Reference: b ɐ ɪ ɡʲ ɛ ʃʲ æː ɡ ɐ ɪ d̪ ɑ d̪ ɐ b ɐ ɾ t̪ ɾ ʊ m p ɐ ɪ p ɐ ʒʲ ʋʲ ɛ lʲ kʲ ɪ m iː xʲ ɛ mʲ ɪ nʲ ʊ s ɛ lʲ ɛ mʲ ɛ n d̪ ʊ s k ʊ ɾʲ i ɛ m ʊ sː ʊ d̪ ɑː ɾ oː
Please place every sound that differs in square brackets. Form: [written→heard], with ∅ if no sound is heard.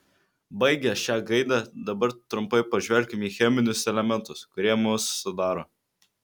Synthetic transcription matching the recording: b ɐ ɪ ɡʲ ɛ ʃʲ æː ɡ ɐ ɪ d̪ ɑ d̪ ɐ b ɐ ɾ t̪ ɾ ʊ m p ɐ ɪ p ɐ ʒʲ ʋʲ ɛ lʲ kʲ ɪ m iː xʲ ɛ mʲ ɪ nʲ ʊ s ɛ lʲ ɛ mʲ ɛ n [d̪→t̪] ʊ s k ʊ ɾʲ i ɛ m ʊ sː ʊ d̪ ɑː ɾ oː